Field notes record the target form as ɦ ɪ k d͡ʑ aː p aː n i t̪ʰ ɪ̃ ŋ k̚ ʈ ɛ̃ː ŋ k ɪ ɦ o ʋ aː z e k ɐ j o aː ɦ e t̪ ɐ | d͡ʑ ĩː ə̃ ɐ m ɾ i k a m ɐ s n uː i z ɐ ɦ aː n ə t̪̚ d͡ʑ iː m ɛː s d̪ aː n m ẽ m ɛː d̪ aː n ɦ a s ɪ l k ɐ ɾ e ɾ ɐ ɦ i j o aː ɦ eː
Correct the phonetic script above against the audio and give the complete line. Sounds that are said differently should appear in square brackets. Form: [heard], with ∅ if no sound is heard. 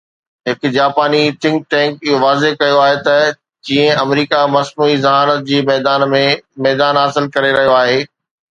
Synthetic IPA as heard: ɦ ɪ k d͡ʑ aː p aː n i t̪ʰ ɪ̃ ŋ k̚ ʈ ɛ̃ː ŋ k ɪ ɦ o ʋ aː z e k ɐ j o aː ɦ e t̪ ɐ | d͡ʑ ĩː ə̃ ɐ m ɾ [iː] k a m ɐ s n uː i z ɐ ɦ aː n ə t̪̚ d͡ʑ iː m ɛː [∅] d̪ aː n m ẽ m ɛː d̪ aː n ɦ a s ɪ l k ɐ ɾ e ɾ ɐ ɦ i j o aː ɦ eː